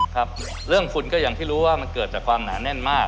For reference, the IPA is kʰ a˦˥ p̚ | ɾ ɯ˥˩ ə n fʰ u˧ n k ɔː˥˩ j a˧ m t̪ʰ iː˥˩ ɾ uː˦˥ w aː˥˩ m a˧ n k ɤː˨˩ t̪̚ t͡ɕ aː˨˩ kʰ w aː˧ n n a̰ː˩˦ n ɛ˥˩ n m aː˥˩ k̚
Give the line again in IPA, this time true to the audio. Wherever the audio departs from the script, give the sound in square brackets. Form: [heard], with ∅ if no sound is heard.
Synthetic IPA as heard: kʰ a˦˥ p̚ | ɾ ɯ˥˩ ə [ŋ] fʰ u˧ n k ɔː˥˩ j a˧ [ŋ] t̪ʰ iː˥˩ ɾ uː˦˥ w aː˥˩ m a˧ n k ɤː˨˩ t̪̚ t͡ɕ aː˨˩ kʰ w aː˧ [m] n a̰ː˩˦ n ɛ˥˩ n m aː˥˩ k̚